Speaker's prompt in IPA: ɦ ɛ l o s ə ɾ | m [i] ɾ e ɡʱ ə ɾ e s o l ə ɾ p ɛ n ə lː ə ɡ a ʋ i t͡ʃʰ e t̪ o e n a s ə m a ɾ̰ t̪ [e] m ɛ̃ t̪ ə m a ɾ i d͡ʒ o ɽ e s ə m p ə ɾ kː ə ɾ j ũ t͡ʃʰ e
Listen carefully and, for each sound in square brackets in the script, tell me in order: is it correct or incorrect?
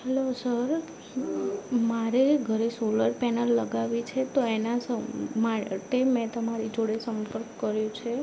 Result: incorrect: a, correct

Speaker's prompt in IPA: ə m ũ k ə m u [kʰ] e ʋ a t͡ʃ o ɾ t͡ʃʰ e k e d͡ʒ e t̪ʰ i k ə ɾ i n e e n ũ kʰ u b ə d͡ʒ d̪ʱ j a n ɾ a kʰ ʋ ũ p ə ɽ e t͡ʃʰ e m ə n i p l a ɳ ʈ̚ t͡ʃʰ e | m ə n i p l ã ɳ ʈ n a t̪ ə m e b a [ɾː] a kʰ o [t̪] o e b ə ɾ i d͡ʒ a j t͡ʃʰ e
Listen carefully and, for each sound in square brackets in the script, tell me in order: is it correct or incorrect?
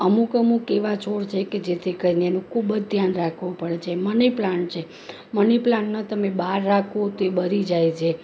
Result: incorrect: k, correct, correct

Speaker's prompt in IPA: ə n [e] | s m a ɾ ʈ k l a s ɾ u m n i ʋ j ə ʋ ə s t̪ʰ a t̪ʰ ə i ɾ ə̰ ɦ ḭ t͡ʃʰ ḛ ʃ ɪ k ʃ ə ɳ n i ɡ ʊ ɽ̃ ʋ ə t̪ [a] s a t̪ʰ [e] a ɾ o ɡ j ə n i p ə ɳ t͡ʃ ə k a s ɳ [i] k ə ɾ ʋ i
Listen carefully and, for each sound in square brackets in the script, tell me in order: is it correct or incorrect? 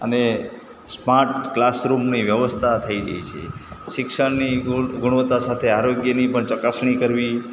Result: correct, correct, correct, correct

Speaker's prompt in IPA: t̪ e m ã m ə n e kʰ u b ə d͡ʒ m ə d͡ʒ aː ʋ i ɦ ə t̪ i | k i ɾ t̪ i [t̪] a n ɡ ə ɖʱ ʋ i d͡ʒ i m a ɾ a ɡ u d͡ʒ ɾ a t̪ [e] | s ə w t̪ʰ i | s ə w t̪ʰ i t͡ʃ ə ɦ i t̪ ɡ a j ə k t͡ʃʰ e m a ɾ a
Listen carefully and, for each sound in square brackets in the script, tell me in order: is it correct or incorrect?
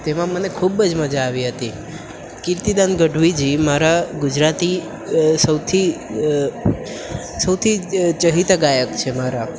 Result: incorrect: d̪, incorrect: i

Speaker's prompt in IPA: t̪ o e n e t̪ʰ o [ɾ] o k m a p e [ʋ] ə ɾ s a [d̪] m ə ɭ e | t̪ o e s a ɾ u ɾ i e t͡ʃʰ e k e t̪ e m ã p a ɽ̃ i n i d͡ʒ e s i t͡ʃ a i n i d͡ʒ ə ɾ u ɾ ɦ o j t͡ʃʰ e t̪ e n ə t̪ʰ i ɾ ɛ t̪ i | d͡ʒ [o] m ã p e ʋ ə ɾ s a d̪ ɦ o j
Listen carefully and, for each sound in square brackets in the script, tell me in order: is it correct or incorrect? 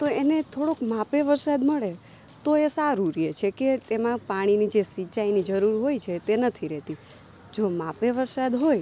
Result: incorrect: ɽ, correct, correct, correct

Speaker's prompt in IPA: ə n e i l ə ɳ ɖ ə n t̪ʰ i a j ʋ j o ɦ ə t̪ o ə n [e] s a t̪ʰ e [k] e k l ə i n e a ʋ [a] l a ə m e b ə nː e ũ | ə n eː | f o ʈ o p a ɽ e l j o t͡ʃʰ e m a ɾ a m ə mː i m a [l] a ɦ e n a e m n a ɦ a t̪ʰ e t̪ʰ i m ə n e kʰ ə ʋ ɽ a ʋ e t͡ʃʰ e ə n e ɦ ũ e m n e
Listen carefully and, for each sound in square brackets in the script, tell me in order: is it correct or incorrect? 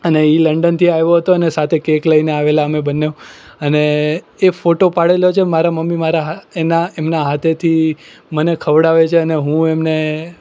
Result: correct, correct, incorrect: e, incorrect: ɾ

